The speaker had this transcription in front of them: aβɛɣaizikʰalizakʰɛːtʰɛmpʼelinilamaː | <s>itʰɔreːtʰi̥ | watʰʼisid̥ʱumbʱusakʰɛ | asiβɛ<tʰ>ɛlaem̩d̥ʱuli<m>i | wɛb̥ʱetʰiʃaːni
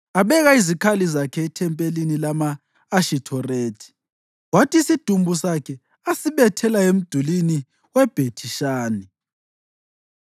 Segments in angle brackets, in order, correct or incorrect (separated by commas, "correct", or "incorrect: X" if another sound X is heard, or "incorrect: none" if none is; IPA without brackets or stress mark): incorrect: ʃ, correct, incorrect: n